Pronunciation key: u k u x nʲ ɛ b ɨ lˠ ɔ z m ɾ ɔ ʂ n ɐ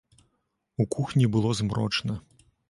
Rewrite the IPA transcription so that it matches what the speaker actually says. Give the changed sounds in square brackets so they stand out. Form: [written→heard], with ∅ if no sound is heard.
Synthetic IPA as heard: u k u x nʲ [ɛ→i] b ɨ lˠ ɔ z m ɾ ɔ [ʂ→t͡ʂ] n ɐ